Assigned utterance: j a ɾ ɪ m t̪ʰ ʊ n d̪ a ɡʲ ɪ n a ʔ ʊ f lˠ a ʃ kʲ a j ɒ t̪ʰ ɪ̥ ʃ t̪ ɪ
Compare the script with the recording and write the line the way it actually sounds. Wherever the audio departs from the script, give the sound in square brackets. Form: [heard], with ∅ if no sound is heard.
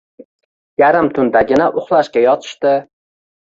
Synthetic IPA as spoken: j a ɾ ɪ m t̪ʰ ʊ n d̪ a ɡʲ ɪ n a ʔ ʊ [χ] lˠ a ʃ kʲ a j ɒ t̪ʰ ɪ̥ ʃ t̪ ɪ